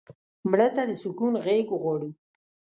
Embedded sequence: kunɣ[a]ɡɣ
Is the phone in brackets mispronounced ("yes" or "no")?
yes